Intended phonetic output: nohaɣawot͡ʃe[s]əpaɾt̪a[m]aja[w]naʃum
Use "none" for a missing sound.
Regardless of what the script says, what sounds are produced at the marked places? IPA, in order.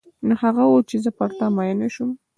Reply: z, m, none

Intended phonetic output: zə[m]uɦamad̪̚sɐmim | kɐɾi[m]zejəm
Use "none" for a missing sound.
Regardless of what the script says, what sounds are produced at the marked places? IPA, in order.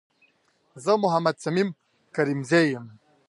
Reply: m, m

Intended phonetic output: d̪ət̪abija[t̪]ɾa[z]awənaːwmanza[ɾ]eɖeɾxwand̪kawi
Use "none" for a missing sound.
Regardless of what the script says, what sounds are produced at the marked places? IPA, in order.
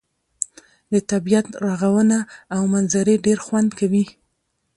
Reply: t̪, ɣ, ɾ

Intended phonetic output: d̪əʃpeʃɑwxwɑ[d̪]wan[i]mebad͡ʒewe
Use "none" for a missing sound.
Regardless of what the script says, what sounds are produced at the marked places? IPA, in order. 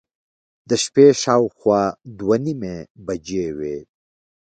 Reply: d̪, i

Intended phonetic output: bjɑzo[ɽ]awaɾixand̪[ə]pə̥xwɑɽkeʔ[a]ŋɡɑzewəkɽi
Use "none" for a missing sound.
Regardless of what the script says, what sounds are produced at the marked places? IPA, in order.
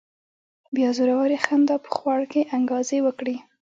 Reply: ɾ, ɑ, a

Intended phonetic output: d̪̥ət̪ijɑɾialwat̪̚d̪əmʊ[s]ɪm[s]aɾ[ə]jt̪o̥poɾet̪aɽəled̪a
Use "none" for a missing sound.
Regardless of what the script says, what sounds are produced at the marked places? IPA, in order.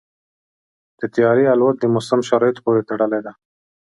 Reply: s, ʃ, ɑ

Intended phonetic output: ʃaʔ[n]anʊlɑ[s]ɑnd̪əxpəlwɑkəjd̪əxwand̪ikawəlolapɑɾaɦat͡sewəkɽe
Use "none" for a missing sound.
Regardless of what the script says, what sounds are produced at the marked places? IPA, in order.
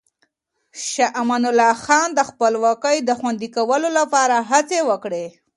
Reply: m, x

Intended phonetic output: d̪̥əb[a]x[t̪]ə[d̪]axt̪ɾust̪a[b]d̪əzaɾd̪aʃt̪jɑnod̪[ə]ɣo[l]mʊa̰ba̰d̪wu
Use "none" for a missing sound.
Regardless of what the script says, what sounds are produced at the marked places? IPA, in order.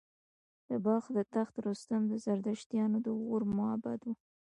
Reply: ɑ, d̪, t̪, m, ə, ɾ

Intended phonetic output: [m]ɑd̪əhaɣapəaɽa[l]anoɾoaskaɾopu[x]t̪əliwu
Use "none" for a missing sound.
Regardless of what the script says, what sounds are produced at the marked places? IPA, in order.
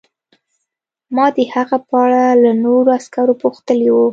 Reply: m, l, x

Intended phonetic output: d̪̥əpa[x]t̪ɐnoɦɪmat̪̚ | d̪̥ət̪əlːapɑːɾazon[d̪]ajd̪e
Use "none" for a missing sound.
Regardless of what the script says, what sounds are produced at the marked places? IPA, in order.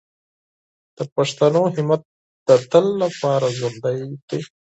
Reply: ʂ, d̪

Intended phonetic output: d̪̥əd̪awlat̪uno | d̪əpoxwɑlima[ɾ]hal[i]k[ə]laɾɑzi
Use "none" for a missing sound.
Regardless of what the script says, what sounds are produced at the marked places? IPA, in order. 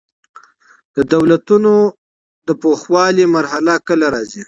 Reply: ɾ, a, ə

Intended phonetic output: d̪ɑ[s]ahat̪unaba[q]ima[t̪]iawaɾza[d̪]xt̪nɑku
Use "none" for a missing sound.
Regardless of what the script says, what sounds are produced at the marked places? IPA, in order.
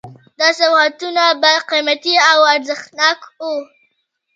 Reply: s, q, t̪, none

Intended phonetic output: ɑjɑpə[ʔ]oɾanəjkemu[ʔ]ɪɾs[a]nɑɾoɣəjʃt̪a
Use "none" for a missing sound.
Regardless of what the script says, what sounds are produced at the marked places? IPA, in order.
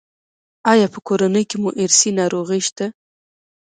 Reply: k, ʔ, i

